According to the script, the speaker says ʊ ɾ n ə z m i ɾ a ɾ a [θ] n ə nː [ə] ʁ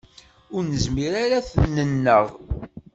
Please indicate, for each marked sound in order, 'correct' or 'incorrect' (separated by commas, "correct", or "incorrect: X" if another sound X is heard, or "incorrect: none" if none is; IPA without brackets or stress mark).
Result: correct, correct